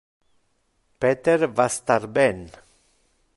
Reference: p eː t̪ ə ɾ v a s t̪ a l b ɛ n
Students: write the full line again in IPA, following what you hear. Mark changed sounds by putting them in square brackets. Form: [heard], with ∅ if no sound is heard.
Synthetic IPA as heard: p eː t̪ ə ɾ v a s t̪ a [ɾ] b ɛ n